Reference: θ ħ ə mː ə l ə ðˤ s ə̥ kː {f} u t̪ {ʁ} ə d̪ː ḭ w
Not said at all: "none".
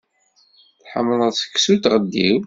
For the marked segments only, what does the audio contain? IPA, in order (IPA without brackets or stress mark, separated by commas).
s, ʁ